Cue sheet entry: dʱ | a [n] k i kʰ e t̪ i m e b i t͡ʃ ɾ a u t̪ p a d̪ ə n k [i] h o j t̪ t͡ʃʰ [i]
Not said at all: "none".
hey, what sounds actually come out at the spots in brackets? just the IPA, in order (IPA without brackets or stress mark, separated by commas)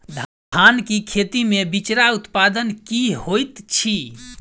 n, i, i